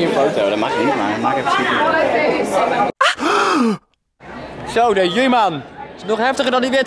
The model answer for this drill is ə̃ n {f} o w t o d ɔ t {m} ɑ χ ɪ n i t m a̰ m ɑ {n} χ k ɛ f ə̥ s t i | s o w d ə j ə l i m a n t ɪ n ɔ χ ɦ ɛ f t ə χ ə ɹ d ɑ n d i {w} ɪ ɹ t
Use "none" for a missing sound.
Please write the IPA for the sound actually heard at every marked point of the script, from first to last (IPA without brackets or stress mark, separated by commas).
f, m, none, ʋ